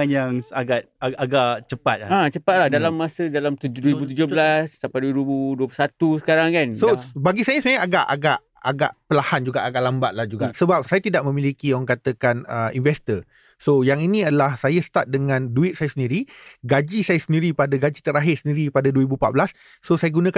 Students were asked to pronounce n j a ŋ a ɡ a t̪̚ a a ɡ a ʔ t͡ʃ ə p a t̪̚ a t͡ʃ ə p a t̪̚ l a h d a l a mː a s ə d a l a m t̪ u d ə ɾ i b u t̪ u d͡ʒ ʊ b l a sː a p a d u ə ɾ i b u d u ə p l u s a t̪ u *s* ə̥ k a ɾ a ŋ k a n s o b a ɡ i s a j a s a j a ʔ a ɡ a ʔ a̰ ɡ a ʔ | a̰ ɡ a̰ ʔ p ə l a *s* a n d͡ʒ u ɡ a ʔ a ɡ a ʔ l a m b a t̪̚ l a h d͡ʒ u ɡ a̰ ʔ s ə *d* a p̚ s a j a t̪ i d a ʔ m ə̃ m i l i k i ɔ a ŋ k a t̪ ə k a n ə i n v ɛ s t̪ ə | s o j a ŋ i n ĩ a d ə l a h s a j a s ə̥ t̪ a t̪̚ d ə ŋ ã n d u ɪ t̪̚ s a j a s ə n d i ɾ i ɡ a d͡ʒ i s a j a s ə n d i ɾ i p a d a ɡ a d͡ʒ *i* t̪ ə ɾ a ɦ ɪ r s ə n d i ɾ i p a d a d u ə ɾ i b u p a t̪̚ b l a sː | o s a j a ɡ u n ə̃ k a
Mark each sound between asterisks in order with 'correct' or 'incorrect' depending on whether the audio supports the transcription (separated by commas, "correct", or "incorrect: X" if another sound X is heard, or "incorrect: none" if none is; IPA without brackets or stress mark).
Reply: correct, incorrect: h, incorrect: b, correct